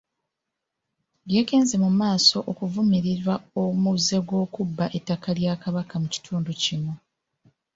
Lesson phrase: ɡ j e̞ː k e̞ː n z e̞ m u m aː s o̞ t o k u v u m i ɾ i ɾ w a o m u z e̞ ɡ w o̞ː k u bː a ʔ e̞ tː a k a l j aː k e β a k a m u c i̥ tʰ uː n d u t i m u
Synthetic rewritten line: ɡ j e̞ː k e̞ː n z e̞ m u m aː s o̞ ʔ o k u v u m i ɾ i ɾ w a o m u z e̞ ɡ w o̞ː k u bː a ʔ e̞ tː a k a l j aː k a β a k a m u c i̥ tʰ uː n d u c i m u